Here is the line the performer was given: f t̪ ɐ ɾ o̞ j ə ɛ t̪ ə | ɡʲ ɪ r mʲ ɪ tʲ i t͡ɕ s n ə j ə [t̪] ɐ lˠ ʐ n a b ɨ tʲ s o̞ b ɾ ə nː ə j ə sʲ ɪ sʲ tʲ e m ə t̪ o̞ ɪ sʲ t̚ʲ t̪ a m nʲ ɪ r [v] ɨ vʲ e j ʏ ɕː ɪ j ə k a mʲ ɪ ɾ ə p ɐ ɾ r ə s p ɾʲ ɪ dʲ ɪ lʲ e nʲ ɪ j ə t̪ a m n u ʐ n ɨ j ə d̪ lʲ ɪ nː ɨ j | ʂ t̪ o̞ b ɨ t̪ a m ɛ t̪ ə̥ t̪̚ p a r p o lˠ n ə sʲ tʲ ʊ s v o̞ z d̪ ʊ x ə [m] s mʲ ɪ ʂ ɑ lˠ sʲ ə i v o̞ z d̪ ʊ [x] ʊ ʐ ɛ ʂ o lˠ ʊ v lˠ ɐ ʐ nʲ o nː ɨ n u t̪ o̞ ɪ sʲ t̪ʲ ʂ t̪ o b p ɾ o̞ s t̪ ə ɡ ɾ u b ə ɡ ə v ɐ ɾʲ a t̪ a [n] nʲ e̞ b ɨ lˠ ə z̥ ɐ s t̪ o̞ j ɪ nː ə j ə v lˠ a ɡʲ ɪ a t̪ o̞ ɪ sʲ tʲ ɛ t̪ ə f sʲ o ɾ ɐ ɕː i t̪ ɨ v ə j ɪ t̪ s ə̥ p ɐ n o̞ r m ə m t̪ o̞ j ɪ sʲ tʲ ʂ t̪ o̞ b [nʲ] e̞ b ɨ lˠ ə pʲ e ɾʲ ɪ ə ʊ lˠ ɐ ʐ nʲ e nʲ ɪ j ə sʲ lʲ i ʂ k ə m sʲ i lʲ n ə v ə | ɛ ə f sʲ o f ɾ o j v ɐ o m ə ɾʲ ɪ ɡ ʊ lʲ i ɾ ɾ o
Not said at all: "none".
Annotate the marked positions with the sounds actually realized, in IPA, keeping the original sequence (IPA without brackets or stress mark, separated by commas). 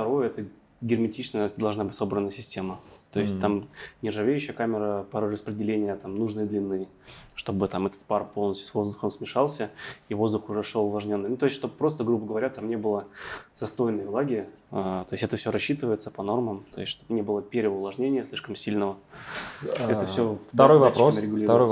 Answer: d̪, ʐ, m, x, m, nʲ